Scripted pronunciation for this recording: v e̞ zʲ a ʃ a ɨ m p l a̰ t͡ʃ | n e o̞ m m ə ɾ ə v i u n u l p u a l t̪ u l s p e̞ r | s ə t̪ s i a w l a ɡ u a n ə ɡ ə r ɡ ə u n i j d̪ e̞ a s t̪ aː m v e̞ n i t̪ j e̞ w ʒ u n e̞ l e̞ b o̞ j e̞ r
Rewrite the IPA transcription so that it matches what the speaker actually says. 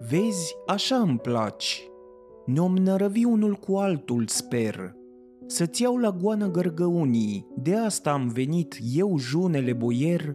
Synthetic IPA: v e̞ zʲ a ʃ a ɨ m p l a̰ t͡ʃ | n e o̞ m n ə ɾ ə v i u n u l k u a l t̪ u l s p e̞ r | s ə t̪ s i a w l a ɡ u a n ə ɡ ə r ɡ ə u n i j d̪ e̞ a s t̪ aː m v e̞ n i t̪ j e̞ w ʒ u n e̞ l e̞ b o̞ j e̞ r